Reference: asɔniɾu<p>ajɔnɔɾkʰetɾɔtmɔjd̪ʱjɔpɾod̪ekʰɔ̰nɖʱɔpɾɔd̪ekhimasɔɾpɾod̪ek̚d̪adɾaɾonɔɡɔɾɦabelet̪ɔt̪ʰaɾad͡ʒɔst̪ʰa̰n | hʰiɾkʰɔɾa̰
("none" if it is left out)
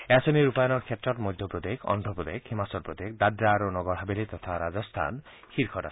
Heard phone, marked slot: p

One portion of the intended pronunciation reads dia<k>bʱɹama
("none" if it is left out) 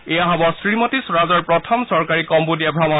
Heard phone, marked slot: none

